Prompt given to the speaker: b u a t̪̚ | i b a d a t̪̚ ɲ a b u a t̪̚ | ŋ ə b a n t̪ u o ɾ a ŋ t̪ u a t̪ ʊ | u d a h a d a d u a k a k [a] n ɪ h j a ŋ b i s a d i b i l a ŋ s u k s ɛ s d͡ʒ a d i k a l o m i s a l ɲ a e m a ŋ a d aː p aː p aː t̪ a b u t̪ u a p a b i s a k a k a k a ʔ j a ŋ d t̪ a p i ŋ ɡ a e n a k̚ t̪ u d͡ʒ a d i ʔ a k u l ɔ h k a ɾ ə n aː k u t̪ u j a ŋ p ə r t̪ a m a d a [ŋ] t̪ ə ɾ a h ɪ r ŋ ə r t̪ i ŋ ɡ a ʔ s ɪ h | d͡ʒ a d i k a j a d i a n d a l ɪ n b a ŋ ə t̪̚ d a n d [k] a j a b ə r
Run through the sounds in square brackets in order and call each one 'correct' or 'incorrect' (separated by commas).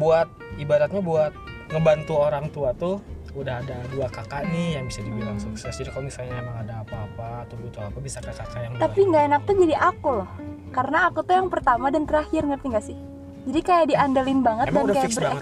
correct, incorrect, correct